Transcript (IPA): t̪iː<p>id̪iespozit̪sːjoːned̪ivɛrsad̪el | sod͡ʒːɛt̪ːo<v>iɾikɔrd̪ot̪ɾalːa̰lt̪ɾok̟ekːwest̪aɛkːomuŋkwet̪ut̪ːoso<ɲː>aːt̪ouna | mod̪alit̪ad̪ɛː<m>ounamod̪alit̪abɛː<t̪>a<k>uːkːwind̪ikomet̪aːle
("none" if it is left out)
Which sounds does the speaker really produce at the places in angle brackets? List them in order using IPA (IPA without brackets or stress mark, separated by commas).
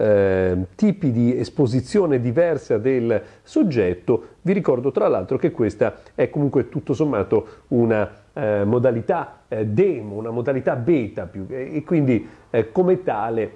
p, v, mː, m, t̪, p